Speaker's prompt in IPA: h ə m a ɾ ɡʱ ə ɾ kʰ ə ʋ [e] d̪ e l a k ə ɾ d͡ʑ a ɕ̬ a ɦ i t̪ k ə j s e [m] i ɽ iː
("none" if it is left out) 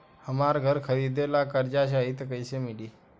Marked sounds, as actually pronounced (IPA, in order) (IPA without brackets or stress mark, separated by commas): i, m